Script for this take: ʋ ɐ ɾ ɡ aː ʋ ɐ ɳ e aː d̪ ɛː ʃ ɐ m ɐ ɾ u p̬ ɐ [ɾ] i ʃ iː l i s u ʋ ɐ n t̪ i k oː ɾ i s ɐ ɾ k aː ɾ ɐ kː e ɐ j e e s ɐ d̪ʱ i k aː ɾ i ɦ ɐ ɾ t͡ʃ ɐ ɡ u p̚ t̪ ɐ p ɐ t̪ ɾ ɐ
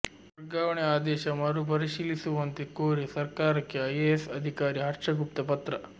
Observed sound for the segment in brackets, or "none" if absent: ɾ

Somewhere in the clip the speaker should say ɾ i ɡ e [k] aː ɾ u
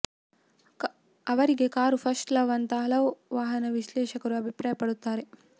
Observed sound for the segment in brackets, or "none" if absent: k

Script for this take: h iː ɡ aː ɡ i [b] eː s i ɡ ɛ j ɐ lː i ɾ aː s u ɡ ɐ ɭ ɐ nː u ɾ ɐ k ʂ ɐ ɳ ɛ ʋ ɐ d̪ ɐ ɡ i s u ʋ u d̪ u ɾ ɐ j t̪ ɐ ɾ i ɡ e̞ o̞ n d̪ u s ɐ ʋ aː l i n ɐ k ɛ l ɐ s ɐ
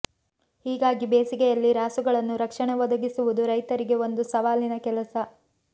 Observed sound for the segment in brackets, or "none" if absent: b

